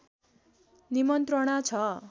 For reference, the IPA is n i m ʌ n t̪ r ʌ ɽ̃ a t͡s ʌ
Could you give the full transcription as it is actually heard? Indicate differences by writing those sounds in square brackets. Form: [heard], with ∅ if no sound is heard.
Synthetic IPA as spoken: n i m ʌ n t̪ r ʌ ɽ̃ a [t͡sʰ] ʌ